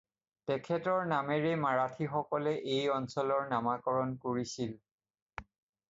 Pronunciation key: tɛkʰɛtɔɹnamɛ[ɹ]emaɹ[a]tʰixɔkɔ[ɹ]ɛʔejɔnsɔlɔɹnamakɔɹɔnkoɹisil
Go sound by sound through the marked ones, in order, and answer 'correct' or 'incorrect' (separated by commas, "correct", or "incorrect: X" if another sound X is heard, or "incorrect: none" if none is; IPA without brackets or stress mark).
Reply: correct, correct, incorrect: l